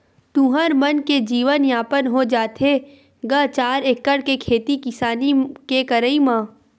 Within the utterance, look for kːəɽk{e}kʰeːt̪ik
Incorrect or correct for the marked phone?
correct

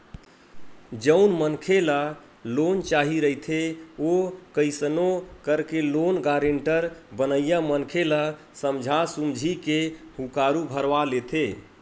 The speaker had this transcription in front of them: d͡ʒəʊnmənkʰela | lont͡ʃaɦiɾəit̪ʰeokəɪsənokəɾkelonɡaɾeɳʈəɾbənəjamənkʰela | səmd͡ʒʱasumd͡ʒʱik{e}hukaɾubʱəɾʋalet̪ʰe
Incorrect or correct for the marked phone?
correct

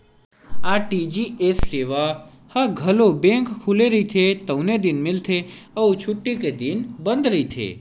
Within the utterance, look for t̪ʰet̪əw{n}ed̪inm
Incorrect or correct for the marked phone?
correct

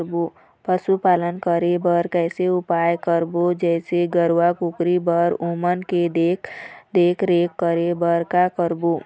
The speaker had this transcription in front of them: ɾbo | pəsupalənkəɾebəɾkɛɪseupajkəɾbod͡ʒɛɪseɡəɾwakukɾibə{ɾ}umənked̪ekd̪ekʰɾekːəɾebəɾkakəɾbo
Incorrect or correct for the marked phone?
correct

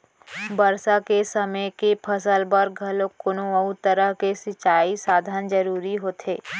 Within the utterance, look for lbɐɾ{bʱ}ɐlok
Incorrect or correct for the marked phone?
incorrect: ɡʱ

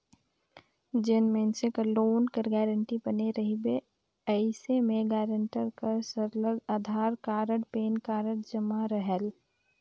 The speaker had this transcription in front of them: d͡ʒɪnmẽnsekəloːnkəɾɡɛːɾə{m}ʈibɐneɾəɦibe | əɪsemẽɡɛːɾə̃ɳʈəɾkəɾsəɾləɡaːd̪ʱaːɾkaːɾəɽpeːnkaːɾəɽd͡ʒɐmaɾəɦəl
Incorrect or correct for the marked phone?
incorrect: ɳ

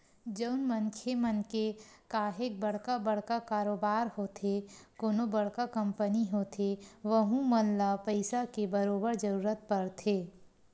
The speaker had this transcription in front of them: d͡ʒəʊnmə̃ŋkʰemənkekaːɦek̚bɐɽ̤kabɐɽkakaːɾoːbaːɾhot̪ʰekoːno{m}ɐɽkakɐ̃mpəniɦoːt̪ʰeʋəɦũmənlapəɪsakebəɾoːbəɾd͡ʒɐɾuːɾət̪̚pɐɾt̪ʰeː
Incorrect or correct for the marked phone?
incorrect: b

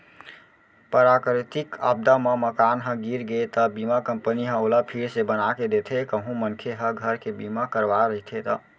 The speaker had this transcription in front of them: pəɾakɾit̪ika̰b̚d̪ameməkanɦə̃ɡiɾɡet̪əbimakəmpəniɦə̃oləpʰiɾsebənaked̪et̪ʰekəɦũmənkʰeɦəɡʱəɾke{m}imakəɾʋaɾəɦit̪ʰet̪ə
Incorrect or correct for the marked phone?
incorrect: b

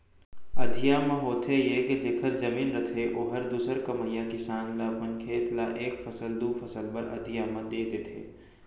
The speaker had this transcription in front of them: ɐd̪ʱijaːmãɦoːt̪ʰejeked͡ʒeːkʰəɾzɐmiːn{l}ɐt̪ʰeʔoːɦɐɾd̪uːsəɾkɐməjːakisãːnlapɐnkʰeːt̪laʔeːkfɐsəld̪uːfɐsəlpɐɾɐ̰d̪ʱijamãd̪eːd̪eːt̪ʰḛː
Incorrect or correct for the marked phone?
incorrect: ɾ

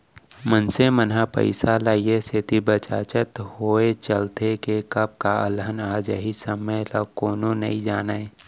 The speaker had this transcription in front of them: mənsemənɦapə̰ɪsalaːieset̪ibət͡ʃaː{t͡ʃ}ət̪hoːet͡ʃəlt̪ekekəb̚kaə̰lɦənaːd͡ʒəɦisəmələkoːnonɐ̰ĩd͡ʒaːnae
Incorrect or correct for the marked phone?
correct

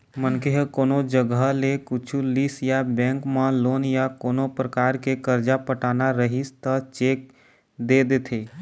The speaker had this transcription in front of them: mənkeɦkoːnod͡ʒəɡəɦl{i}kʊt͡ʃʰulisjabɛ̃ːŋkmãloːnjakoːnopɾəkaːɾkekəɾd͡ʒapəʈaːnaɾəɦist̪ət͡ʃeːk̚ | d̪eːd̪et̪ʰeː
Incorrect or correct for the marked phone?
incorrect: e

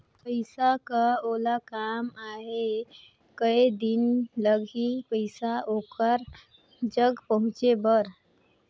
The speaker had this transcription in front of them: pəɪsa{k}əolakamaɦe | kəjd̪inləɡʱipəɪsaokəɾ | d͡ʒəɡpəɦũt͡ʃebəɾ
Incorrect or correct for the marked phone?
correct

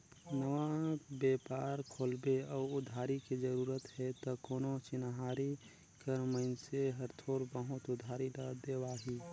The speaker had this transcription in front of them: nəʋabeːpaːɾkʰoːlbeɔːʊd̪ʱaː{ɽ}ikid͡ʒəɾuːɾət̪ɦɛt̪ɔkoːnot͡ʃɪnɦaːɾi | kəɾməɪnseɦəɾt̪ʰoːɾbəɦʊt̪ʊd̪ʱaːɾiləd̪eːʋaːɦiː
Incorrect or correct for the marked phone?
incorrect: ɾ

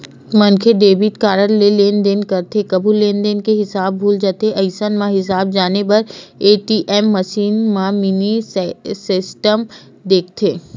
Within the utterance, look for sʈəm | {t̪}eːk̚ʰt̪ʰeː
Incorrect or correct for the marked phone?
incorrect: d̪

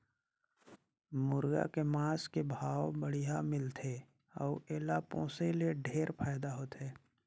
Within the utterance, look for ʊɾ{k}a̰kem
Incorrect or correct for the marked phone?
incorrect: ɡ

